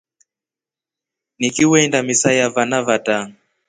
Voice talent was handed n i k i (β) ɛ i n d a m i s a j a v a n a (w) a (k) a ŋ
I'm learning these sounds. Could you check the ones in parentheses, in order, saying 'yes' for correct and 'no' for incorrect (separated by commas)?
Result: no, no, no